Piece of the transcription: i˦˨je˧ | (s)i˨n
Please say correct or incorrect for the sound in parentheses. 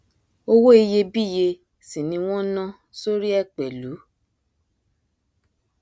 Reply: correct